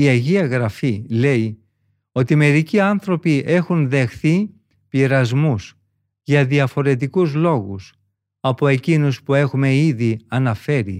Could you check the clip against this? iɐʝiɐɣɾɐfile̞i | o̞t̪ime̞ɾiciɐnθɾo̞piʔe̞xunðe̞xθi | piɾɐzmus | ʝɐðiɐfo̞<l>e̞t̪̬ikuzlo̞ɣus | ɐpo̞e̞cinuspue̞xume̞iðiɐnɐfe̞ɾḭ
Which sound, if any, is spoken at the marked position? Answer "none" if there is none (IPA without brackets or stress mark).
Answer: ɾ